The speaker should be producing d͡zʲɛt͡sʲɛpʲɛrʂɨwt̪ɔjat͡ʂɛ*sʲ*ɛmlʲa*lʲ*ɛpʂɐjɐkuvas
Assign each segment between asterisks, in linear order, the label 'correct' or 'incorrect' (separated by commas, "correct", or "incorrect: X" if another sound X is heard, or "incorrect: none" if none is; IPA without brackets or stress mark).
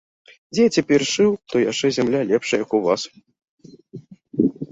incorrect: zʲ, correct